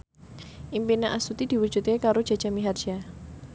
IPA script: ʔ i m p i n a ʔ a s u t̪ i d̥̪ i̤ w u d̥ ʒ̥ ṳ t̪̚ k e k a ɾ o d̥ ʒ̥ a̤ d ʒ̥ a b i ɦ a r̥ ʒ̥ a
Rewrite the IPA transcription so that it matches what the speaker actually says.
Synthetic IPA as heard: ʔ i m p i n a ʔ a s u t̪ i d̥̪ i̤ w u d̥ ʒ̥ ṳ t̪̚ k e k a ɾ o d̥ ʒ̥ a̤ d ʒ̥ a m i ɦ a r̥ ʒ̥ a

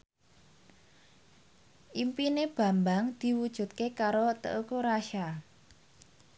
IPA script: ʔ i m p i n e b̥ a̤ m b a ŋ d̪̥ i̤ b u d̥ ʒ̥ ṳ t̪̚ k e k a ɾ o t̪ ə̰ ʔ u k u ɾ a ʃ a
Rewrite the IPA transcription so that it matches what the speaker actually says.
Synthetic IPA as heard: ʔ i m p i n e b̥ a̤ m b a ŋ d̪̥ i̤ w u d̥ ʒ̥ ṳ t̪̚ k e k a ɾ o t̪ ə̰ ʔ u k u ɾ a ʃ a

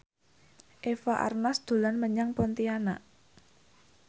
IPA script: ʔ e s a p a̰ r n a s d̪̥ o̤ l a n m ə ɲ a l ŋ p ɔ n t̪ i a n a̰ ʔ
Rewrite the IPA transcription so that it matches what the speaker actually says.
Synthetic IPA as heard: ʔ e f a ʔ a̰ r n a s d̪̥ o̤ l a n m ə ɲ a ŋ p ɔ n t̪ i a n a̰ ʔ

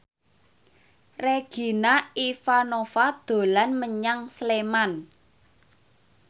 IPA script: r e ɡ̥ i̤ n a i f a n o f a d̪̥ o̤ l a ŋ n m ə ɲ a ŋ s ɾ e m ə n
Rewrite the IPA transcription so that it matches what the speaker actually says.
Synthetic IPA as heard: r e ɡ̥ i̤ n a i f a n o f a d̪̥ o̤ l a n m ə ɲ a ŋ s l e m a n

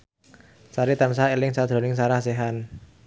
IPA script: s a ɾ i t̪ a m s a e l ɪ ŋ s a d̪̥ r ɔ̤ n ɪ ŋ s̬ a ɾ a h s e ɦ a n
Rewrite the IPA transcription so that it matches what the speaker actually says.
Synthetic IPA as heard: s a ɾ i t̪ a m s a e l ɪ ŋ s a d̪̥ ɾ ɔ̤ n ɪ ŋ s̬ a ɾ a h s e ɦ a n

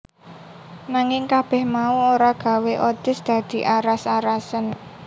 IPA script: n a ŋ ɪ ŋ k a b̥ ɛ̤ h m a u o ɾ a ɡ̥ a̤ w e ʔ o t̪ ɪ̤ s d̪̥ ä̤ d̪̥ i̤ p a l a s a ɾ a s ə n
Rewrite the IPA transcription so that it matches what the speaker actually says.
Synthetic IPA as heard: n a ŋ ɪ ŋ k a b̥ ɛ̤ h m a u o ɾ a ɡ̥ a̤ w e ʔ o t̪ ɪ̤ s d̪̥ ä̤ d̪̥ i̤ ʔ a ɾ a s a ɾ a s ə n

